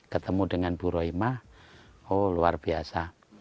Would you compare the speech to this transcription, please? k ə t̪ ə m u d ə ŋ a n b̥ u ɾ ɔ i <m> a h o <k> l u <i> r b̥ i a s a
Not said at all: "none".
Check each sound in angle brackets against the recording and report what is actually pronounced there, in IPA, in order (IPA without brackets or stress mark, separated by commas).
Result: m, none, a